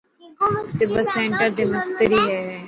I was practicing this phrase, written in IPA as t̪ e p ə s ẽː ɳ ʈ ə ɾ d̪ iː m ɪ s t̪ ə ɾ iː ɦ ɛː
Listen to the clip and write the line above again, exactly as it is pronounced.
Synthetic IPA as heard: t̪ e b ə s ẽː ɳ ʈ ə ɾ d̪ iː m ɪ s t̪ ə ɾ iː ɦ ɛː